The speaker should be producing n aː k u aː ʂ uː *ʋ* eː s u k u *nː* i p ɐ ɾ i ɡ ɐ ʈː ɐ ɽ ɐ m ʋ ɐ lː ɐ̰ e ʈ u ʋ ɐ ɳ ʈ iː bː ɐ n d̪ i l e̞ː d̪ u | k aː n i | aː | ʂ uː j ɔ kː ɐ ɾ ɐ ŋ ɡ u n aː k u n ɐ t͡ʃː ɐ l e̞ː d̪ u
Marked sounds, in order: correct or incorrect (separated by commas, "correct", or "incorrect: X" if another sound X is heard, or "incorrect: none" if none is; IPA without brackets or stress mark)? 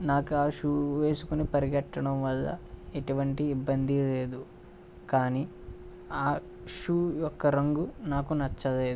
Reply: correct, incorrect: n